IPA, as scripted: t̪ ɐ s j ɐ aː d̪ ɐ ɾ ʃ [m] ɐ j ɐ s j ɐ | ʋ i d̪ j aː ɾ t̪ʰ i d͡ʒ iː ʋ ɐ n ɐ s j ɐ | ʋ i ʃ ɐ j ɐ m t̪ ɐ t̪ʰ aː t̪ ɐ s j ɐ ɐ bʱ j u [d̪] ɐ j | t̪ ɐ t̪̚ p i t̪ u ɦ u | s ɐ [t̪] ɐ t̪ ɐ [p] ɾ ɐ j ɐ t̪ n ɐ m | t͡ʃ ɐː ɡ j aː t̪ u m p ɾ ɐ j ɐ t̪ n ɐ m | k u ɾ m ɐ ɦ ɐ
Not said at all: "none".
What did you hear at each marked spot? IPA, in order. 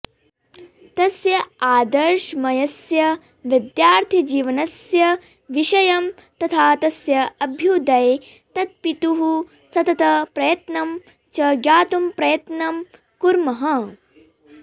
m, d̪, t̪, p

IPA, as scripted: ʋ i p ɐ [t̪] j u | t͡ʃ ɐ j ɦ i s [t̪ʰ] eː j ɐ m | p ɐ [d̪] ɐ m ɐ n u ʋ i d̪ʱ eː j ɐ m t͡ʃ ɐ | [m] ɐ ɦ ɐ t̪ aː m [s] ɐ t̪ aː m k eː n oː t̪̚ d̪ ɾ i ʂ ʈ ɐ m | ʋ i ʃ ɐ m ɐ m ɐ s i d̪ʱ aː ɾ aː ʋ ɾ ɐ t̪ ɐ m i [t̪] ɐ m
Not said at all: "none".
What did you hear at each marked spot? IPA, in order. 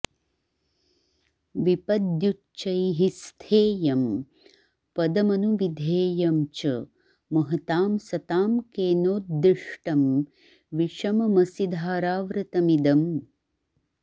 d̪, t̪ʰ, d̪, m, s, d̪

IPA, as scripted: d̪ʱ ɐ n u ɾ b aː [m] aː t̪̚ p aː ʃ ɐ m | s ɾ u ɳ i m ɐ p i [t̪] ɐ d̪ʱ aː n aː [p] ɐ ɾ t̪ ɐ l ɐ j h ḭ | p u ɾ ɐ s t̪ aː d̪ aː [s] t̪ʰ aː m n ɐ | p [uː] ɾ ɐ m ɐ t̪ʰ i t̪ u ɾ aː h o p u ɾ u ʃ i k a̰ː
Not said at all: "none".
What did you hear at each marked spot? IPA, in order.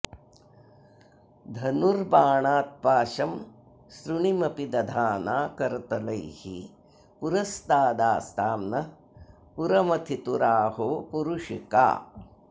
ɳ, d̪, k, s, u

